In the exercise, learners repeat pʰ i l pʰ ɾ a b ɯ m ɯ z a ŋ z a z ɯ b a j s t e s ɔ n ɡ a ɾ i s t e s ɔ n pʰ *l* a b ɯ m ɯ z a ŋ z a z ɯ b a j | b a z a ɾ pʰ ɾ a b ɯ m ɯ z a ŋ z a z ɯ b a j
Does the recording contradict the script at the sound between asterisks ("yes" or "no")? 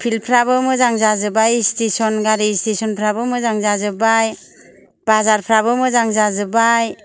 yes